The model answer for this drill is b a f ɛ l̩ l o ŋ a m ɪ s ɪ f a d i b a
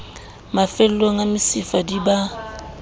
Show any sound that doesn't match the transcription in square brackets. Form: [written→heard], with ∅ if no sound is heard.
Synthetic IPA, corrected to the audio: [b→m] a f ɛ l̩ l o ŋ a m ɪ s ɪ f a d i b a